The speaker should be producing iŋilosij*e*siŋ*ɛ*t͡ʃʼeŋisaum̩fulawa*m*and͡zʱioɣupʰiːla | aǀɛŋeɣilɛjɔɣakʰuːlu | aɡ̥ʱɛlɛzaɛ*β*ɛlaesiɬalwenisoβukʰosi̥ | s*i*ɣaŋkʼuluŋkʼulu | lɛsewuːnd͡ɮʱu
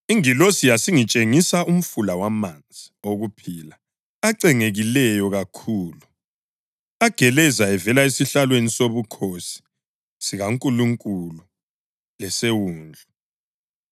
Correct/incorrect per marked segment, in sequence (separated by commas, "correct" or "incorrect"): incorrect, incorrect, correct, incorrect, correct